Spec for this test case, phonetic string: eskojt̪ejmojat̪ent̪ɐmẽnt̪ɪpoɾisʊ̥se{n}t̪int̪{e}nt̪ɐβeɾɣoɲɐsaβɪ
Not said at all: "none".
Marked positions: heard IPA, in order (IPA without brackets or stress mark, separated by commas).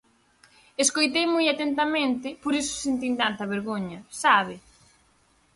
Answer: n, a